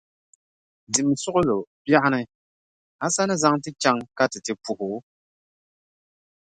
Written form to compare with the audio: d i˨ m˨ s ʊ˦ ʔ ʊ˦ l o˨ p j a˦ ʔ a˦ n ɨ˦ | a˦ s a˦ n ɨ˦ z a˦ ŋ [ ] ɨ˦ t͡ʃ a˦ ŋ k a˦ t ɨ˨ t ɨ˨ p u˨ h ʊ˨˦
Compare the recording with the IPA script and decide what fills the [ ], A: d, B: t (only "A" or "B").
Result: B